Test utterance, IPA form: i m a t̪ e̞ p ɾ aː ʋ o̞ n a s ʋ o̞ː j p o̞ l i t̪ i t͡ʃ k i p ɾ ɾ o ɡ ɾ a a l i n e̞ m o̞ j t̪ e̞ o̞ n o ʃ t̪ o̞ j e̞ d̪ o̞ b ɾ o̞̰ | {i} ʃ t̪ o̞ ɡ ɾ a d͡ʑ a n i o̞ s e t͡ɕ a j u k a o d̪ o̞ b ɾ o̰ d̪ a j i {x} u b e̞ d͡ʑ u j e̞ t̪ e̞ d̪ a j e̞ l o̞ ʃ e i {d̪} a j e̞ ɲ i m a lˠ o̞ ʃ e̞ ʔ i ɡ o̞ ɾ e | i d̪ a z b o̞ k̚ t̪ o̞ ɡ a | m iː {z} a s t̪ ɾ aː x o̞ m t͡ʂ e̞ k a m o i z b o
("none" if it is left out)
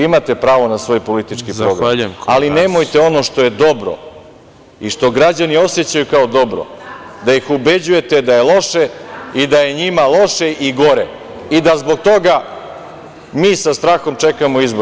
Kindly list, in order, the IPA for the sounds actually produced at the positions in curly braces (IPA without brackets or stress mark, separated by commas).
i, x, d̪, s